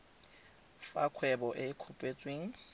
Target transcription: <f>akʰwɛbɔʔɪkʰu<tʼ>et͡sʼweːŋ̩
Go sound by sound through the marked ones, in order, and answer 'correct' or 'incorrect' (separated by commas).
correct, incorrect